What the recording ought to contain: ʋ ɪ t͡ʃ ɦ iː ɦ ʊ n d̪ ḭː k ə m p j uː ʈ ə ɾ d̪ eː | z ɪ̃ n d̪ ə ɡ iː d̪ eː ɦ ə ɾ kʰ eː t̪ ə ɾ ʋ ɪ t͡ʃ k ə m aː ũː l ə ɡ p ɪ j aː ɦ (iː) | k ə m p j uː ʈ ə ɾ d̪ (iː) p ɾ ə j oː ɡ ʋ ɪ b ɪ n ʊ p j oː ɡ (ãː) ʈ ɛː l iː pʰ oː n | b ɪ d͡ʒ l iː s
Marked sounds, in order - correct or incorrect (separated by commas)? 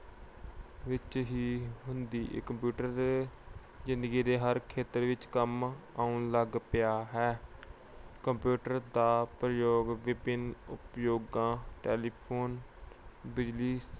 incorrect, incorrect, correct